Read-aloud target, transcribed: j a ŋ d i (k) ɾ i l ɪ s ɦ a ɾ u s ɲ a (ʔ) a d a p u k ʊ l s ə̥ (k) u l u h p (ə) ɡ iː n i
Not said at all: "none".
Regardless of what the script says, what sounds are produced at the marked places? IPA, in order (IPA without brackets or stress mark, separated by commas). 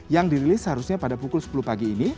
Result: none, p, p, a